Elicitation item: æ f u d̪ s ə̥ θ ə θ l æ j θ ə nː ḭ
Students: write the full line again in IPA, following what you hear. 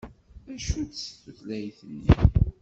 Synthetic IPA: æ ʃ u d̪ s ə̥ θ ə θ l æ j θ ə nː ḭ